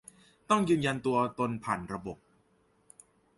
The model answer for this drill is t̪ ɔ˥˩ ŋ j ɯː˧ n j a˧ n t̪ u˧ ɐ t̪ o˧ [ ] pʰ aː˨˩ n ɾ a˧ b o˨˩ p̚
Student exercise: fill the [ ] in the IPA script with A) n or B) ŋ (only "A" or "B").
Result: A